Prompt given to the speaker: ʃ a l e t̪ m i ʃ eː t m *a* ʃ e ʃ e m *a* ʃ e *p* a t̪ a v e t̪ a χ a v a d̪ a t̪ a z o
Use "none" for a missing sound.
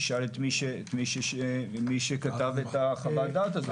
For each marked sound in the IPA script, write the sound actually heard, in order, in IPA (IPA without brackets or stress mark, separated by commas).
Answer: i, i, k